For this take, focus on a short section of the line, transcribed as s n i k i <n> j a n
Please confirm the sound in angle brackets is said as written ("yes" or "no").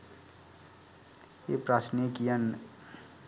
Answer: no